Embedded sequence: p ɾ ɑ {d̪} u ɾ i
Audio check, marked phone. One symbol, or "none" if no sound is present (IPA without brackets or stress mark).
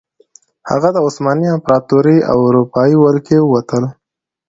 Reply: t̪